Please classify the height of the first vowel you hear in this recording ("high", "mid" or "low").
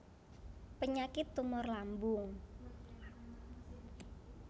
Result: mid